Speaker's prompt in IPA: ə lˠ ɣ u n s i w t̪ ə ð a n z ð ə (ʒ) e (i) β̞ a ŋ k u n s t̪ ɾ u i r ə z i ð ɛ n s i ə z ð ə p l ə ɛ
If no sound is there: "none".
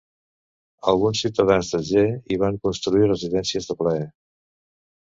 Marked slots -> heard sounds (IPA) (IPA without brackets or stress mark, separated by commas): ʒ, i